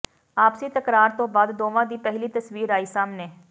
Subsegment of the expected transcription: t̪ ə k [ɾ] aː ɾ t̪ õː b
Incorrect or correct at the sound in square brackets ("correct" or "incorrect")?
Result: correct